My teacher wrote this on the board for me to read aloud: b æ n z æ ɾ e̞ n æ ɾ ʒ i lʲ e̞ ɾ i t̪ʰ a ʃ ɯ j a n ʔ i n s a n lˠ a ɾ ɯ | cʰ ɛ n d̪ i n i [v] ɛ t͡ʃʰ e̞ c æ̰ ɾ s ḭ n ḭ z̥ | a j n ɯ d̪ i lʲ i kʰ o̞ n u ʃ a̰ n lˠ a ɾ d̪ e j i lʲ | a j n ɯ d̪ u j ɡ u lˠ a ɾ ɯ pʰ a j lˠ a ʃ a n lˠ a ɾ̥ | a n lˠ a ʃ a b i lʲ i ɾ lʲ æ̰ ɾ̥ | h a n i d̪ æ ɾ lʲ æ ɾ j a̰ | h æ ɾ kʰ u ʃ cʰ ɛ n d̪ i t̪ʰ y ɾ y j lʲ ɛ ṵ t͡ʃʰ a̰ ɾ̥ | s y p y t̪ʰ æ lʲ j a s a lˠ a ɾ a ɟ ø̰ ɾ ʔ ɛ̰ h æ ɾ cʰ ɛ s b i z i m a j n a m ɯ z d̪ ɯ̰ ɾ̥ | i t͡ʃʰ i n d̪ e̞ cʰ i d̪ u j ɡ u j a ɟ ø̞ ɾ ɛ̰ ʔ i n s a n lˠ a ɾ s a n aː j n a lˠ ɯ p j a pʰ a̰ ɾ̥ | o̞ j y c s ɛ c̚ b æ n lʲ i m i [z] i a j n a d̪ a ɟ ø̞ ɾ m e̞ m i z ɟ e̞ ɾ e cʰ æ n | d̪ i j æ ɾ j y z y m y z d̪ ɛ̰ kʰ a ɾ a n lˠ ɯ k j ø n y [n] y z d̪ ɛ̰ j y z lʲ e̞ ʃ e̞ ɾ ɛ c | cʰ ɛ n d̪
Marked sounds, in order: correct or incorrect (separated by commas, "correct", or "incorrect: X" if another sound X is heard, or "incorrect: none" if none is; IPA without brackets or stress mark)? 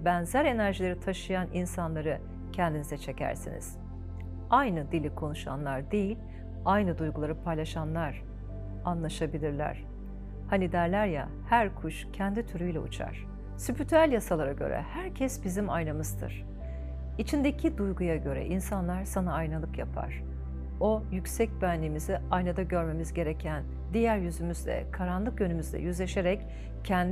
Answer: incorrect: z, correct, incorrect: m